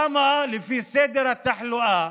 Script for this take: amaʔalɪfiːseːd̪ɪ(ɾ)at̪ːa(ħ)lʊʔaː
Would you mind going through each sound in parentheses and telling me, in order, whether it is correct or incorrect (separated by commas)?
correct, correct